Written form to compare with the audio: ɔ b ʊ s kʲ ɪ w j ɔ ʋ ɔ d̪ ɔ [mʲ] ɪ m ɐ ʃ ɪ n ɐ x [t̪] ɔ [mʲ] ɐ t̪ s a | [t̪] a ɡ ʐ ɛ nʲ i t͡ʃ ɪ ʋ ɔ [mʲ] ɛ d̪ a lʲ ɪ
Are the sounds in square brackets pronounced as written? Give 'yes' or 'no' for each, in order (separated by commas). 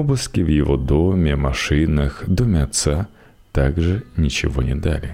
yes, no, yes, yes, no